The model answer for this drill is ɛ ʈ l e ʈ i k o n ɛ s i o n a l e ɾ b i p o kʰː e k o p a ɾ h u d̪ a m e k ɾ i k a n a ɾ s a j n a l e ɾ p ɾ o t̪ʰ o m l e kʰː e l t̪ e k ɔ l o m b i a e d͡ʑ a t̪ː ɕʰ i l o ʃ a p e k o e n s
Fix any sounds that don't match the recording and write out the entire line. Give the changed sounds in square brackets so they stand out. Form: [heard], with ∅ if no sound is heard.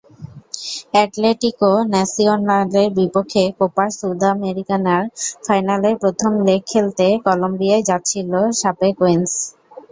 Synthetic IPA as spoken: ɛ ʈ l e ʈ i k o n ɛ s i o n a l e ɾ b i p o kʰː e k o p a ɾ [s] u d̪ a m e [∅] ɾ i k a n a ɾ [f] a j n a l e ɾ p ɾ o t̪ʰ o m l e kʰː e l t̪ e k ɔ l o m b i a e d͡ʑ a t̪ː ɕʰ i l o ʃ a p e k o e n s

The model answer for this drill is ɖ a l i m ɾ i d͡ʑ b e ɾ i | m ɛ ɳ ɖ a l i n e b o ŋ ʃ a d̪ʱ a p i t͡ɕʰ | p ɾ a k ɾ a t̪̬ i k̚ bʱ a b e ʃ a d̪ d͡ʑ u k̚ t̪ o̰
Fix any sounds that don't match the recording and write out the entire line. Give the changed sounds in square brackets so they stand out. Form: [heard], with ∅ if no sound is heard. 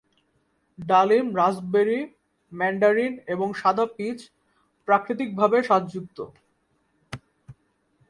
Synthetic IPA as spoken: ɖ a l i m ɾ [a] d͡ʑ b e ɾ i | m ɛ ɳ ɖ a [ɾ] i n e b o ŋ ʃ a d̪ʱ a p i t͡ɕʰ | p ɾ a k ɾ [i] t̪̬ i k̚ bʱ a b e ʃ a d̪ d͡ʑ u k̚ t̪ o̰

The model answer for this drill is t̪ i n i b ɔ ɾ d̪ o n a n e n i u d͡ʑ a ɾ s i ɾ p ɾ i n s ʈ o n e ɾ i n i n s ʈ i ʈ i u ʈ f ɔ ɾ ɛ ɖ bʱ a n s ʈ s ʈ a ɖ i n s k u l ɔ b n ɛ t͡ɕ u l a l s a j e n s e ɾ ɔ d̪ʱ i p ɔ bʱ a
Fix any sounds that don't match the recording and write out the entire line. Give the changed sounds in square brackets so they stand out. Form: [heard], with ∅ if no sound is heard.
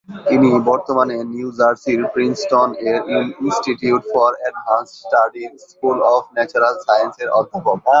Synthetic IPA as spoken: t̪ i n i b ɔ ɾ [t̪] o [m] a n e n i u d͡ʑ a ɾ s i ɾ p ɾ i n s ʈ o n e ɾ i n i n s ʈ i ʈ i u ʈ f ɔ ɾ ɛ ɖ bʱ a n s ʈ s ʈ a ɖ i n s k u l ɔ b n ɛ t͡ɕ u [ɾ] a l s a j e n s e ɾ ɔ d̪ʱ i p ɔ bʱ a

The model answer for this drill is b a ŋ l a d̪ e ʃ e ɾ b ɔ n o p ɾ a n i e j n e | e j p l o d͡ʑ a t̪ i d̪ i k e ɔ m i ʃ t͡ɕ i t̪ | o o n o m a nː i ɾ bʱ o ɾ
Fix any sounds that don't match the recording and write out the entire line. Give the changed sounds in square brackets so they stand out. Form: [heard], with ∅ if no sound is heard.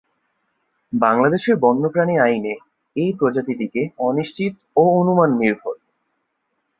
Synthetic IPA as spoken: b a ŋ l a d̪ e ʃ e ɾ b ɔ [nː] o p ɾ a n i [a] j n e | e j p [ɾ] o d͡ʑ a t̪ i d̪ i k e ɔ [n] i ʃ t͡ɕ i t̪ | o o n [u] m a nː i ɾ bʱ o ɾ

